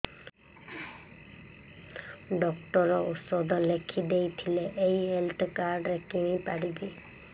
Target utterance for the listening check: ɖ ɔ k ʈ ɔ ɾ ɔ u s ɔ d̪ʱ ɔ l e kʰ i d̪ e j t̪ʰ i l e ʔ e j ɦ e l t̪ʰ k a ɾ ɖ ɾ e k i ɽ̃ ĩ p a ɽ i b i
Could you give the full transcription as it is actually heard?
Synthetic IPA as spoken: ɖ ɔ k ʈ ɔ ɾ ɔ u s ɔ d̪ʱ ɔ l e kʰ i d̪ e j t̪ʰ i l e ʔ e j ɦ e l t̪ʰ k a ɾ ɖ ɾ e k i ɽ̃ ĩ p a ɽ i b i

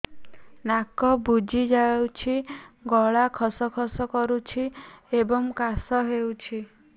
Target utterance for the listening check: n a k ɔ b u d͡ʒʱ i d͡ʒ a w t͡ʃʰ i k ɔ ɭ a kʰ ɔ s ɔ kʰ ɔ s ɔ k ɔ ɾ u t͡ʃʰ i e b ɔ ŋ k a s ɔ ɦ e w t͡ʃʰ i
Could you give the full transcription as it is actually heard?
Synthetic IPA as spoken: n a k ɔ b u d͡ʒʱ i d͡ʒ a w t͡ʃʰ i ɡ ɔ ɭ a kʰ ɔ s ɔ kʰ ɔ s ɔ k ɔ ɾ u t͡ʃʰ i e b ɔ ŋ k a s ɔ ɦ e w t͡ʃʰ i

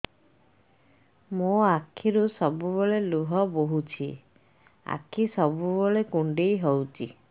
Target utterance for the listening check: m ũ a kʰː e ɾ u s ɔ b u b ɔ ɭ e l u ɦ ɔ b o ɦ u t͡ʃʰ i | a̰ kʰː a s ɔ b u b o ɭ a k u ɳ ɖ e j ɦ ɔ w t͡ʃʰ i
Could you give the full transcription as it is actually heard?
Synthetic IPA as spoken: m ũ a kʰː i ɾ u s ɔ b u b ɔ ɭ e l u ɦ ɔ b o ɦ u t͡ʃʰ i | a̰ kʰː i s ɔ b u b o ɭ e k u ɳ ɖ e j ɦ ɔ w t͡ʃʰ i

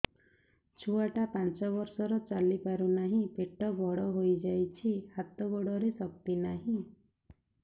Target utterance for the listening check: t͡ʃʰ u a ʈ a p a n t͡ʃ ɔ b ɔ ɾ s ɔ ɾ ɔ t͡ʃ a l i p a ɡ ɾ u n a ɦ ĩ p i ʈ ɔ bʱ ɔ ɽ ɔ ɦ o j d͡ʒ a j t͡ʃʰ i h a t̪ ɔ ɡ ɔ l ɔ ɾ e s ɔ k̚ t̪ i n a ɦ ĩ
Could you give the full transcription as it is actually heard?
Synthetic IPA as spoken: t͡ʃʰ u a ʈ a p a n t͡ʃ ɔ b ɔ ɾ s ɔ ɾ ɔ t͡ʃ a l i p a ɾ u n a ɦ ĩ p e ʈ ɔ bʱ ɔ ɽ ɔ ɦ o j d͡ʒ a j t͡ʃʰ i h a t̪ ɔ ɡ ɔ ɽ ɔ ɾ e s ɔ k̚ t̪ i n a ɦ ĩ

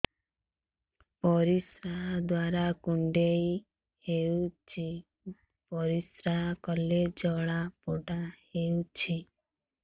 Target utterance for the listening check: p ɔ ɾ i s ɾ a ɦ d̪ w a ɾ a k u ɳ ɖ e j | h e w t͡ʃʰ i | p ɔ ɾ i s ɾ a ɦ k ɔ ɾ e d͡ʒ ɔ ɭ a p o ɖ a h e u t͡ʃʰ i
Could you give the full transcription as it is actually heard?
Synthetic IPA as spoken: p ɔ ɾ i s ɾ a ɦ d̪ w a ɾ a k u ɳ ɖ e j | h e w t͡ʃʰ i | p ɔ ɾ i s ɾ a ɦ k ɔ l e d͡ʒ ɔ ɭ a p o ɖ a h e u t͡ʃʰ i

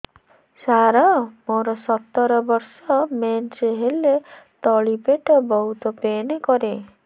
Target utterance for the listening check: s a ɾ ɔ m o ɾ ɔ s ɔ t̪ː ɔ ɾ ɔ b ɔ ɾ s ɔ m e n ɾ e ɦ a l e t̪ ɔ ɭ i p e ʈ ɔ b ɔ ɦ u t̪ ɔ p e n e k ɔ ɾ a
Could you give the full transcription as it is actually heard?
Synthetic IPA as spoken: s a ɾ ɔ m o ɾ ɔ s ɔ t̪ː ɔ ɾ ɔ b ɔ ɾ s ɔ m e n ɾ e ɦ e l e t̪ ɔ ɭ i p e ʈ ɔ b ɔ ɦ u t̪ ɔ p e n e k ɔ ɾ e

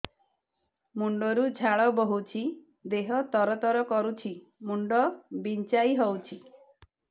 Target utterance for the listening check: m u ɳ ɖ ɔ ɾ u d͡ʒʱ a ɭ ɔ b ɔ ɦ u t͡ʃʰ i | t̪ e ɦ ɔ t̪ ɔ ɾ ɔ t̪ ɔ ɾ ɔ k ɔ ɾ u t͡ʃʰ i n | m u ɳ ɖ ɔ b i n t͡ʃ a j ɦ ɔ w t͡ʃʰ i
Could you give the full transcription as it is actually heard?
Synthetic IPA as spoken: m u ɳ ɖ ɔ ɾ u d͡ʒʱ a ɭ ɔ b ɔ ɦ u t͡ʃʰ i | d̪ e ɦ ɔ t̪ ɔ ɾ ɔ t̪ ɔ ɾ ɔ k ɔ ɾ u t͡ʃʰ i | m u ɳ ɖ ɔ b i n t͡ʃ a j ɦ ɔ w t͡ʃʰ i

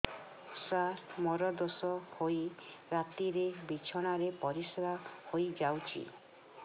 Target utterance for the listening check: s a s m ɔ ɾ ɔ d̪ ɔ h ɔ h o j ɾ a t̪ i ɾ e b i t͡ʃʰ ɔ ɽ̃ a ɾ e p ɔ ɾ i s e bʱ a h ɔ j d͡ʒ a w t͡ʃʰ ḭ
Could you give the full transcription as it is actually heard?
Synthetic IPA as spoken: s a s m ɔ ɾ ɔ d̪ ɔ s ɔ h o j ɾ a t̪ i ɾ e b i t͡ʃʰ ɔ ɽ̃ a ɾ e p ɔ ɾ i s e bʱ a h o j d͡ʒ a w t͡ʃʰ ḭ

